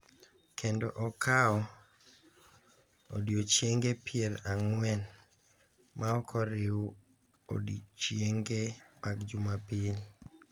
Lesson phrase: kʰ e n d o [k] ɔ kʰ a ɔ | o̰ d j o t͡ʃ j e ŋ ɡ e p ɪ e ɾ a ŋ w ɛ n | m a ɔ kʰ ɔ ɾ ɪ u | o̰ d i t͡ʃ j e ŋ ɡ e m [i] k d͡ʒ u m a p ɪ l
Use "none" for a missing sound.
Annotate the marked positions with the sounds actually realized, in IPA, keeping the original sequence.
ʔ, a

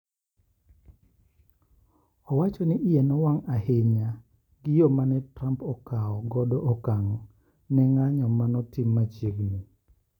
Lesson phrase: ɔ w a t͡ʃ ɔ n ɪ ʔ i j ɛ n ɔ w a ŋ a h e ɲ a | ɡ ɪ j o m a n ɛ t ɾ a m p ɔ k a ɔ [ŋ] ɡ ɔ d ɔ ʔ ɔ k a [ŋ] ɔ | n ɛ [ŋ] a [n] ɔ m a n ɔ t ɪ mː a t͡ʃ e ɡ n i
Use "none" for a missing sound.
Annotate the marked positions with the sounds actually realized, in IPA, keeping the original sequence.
none, ŋ, ŋ, ɲ

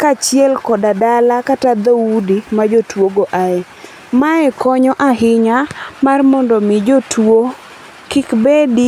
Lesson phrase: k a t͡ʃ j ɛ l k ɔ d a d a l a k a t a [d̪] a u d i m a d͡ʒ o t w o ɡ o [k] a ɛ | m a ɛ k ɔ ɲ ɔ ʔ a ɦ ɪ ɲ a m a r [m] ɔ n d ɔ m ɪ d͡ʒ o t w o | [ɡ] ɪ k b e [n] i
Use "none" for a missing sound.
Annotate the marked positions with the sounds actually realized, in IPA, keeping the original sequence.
d̪, ʔ, m, k, d

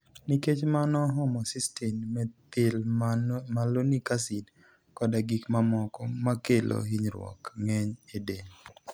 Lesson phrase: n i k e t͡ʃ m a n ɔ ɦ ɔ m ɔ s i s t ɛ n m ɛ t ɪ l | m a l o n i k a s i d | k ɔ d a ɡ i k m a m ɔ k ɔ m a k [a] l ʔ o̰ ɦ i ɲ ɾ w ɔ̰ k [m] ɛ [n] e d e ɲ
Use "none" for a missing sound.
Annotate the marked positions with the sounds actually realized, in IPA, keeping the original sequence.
e, ŋ, ɲ

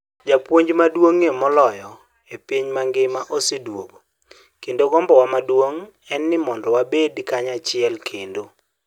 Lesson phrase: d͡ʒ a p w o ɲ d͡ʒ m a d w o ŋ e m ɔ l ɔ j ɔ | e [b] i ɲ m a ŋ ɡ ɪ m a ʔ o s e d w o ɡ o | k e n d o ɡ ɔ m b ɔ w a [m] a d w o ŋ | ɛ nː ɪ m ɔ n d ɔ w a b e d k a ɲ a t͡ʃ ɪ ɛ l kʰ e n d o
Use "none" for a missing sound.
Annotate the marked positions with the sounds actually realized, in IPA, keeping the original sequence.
p, m

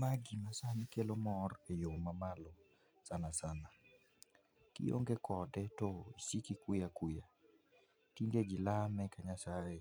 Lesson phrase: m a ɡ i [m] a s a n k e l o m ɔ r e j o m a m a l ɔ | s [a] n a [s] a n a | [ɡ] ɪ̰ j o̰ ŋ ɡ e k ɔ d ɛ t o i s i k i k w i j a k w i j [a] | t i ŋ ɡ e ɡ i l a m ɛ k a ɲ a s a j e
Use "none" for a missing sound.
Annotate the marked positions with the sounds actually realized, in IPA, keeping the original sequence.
m, a, s, k, a

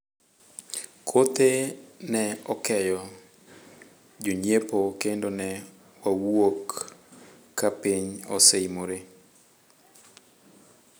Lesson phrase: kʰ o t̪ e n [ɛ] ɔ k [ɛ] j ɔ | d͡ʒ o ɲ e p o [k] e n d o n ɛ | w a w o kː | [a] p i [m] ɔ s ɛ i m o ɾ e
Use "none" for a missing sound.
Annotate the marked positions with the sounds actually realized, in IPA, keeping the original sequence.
ɛ, ɛ, k, a, ɲ

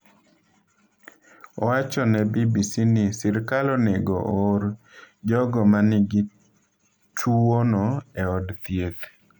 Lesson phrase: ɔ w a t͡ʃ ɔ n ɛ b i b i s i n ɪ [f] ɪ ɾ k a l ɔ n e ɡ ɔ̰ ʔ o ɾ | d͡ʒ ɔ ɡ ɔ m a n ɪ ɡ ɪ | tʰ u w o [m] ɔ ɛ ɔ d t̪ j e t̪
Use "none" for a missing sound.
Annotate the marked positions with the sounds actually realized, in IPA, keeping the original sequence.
s, n

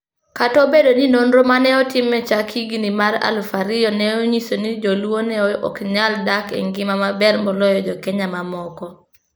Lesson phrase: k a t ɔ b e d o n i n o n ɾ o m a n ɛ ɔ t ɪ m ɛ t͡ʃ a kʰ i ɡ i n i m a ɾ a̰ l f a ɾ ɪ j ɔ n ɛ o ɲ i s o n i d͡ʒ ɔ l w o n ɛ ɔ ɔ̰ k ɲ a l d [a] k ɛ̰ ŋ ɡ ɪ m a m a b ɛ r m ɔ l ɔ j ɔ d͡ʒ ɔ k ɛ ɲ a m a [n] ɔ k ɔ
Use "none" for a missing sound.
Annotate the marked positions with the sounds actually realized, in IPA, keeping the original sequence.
a, m

